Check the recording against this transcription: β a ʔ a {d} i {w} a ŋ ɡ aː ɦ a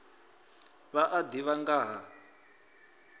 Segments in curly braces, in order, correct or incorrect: correct, incorrect: β

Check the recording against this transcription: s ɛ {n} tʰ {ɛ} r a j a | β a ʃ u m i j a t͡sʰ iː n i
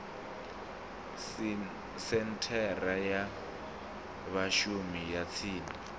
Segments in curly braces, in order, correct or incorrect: correct, correct

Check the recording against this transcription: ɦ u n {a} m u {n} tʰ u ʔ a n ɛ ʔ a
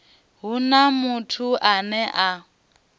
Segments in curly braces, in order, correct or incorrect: correct, incorrect: none

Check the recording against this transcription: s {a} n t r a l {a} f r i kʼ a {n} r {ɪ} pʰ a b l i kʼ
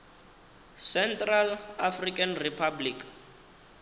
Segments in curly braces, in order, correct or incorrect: incorrect: ɛ, correct, correct, incorrect: i

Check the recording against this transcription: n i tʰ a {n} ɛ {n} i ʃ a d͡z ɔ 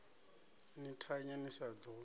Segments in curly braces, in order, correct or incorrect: incorrect: ɲ, correct

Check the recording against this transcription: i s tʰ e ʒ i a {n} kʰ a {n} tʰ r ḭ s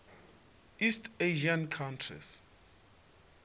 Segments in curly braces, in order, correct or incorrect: correct, correct

